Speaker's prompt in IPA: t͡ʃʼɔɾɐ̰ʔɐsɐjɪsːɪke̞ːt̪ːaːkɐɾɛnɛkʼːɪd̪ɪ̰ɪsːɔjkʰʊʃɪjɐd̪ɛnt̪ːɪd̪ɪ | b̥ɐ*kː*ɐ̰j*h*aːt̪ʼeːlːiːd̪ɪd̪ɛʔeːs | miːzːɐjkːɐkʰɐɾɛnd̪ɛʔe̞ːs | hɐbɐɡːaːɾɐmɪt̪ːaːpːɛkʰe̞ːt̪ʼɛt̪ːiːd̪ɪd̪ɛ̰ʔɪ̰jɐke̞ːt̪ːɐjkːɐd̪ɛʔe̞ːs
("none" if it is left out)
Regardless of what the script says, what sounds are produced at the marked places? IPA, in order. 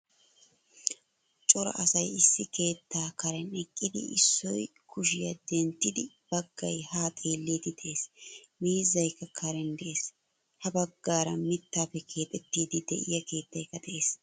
ɡː, h

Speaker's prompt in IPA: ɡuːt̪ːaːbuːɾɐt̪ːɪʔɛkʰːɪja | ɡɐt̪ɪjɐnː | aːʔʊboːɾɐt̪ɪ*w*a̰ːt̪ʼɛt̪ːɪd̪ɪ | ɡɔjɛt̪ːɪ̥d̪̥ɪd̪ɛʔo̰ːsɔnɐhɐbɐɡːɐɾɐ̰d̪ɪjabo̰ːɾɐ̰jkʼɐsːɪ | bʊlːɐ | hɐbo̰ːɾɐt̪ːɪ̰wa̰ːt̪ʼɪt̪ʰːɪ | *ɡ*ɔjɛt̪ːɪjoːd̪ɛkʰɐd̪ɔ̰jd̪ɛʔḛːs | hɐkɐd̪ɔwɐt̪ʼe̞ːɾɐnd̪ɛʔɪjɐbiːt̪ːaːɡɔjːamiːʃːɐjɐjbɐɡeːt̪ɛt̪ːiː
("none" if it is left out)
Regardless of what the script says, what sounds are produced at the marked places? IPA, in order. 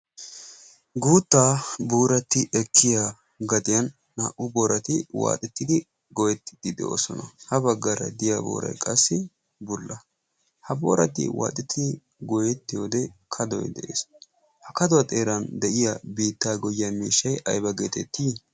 w, ɡ

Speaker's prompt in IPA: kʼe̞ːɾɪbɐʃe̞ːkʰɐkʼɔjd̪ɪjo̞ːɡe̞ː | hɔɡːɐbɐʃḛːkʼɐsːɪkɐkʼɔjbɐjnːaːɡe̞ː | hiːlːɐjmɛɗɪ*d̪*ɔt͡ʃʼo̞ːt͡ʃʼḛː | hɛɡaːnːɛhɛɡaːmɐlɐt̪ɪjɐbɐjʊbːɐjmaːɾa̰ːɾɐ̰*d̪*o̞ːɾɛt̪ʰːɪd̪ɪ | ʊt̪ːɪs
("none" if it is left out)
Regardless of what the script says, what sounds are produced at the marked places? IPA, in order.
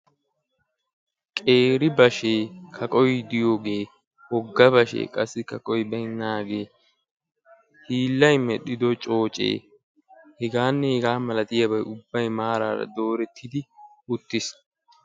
d̪, d̪

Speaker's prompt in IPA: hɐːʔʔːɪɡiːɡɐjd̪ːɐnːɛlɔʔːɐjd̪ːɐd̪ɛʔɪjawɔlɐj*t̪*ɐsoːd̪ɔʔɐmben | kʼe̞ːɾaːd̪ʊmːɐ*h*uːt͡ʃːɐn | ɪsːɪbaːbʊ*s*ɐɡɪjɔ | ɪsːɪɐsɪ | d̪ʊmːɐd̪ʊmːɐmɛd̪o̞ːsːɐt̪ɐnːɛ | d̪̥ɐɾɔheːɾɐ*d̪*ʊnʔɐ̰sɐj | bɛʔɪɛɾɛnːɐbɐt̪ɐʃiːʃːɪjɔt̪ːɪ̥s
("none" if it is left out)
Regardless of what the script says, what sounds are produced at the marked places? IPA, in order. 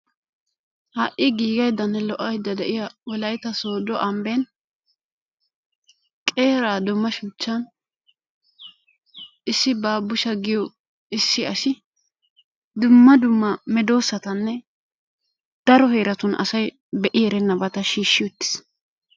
t̪, ʃ, ʃ, t̪

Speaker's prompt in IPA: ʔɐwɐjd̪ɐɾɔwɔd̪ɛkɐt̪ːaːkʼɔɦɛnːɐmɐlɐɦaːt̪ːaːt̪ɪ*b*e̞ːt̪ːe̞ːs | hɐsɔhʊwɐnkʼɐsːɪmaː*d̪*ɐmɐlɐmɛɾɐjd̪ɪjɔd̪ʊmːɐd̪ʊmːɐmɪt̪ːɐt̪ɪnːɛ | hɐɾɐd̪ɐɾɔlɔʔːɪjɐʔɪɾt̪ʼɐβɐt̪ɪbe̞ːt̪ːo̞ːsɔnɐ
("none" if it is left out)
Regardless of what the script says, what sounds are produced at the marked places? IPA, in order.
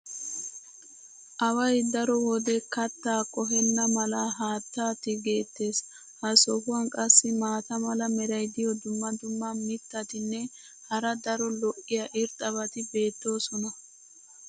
ɡ, t̪

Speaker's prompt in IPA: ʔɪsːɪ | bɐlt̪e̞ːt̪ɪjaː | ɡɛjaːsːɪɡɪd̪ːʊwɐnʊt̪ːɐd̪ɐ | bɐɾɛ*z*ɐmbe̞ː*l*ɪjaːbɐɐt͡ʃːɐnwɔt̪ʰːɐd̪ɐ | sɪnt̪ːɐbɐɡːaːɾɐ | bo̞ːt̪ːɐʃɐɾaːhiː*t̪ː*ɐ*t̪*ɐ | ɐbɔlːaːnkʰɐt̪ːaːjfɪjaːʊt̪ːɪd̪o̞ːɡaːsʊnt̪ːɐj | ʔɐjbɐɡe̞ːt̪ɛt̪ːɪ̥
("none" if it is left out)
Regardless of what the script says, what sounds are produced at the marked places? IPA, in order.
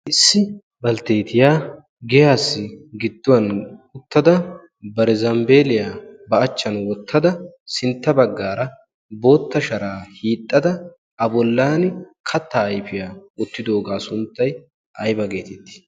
z, l, t̪ʼː, d̪

